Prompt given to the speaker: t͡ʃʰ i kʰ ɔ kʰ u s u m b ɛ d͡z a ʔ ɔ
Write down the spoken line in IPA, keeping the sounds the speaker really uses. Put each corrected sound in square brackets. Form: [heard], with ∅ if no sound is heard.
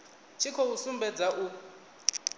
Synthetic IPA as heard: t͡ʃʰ i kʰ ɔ [∅] u s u m b ɛ d͡z a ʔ [u]

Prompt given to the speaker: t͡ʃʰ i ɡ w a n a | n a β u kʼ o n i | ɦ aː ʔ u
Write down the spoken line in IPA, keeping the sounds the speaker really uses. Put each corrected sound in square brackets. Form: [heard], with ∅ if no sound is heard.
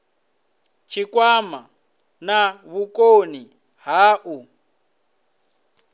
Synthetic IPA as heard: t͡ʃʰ i [k] w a [m] a | n a β u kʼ o n i | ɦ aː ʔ u

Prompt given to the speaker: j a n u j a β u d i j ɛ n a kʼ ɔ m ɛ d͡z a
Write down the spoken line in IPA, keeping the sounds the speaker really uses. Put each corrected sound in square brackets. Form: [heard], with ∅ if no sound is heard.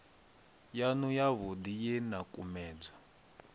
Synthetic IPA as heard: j a n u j a β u d i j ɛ n a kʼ [u] m [ɛː] d͡z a

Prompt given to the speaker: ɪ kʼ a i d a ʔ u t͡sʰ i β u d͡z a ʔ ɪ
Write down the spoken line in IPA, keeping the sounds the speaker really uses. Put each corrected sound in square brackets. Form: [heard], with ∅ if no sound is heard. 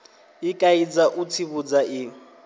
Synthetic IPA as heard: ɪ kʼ a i [d͡z] a ʔ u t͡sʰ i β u d͡z a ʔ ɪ

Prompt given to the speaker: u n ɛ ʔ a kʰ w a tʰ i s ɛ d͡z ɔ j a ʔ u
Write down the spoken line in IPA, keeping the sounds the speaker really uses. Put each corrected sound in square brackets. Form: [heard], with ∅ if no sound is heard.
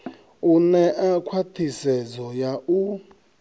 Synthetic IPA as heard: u n ɛ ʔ a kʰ w a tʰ i s ɛ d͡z ɔ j a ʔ u

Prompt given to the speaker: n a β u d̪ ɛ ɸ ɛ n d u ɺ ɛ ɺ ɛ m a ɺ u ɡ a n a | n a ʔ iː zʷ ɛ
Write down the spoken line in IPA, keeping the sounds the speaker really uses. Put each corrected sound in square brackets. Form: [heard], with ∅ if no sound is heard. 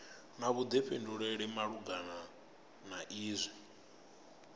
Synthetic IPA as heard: n a β u d̪ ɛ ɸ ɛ n d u ɺ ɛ ɺ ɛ m a ɺ u ɡ a n a | n a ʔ iː zʷ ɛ

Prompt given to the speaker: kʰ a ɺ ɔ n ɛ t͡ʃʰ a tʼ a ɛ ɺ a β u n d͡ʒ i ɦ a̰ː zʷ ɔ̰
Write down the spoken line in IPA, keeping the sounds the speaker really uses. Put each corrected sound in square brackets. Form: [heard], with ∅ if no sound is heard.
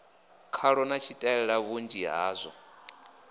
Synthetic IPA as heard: kʰ a ɺ ɔ n [a] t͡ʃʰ [i] tʼ a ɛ ɺ a β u n d͡ʒ i ɦ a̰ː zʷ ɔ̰

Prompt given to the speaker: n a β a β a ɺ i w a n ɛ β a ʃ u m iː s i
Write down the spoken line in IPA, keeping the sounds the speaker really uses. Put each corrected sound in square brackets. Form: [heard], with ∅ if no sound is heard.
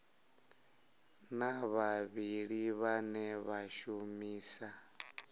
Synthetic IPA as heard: n a β a β [i] ɺ i [β] a n ɛ β a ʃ u m iː s [a]

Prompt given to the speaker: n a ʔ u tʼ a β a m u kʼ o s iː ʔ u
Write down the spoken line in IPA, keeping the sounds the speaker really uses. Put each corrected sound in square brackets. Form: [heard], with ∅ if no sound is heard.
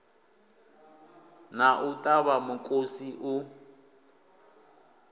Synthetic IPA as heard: n a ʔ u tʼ a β a m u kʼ o s [i] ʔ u

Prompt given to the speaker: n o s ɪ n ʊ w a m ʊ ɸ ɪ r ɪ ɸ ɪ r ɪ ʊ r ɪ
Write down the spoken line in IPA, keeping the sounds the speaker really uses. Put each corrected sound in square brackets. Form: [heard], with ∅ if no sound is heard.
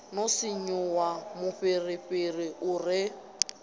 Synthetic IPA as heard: n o s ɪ [ɲ] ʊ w a m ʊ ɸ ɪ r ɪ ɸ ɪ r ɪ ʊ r ɪ

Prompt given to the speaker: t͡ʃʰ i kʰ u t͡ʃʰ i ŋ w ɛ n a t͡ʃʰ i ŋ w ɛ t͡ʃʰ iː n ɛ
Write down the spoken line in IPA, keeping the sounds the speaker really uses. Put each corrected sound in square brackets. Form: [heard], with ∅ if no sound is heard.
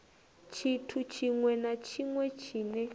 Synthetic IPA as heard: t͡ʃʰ i [tʰ] u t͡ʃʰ i ŋ w ɛ n a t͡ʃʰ i ŋ w ɛ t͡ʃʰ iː n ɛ

